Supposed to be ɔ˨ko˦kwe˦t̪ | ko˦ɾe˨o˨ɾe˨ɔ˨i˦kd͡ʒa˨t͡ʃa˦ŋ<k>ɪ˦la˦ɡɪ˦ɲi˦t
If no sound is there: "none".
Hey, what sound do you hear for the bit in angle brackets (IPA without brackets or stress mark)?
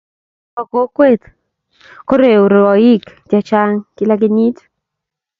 k